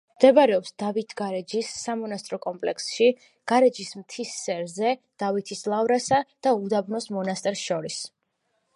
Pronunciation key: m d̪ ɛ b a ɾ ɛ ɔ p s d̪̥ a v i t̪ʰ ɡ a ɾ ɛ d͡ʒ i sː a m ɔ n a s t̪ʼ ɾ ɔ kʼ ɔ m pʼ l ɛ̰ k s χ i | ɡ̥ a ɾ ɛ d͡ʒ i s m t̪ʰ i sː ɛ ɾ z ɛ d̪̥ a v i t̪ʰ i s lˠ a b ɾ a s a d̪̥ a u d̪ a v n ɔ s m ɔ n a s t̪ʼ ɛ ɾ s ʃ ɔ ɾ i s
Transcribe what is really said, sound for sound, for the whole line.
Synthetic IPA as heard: m d̪ ɛ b a ɾ ɛ ɔ p s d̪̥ a v i t̪ʰ ɡ a ɾ ɛ d͡ʒ i sː a m ɔ n a s t̪ʼ ɾ ɔ kʼ ɔ m pʼ l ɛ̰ k s ʃ i | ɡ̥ a ɾ ɛ d͡ʒ i s m t̪ʰ i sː ɛ ɾ z ɛ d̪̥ a v i t̪ʰ i s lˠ a v ɾ a s a d̪̥ a u d̪ a b n ɔ s m ɔ n a s t̪ʼ ɛ ɾ s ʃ ɔ ɾ i s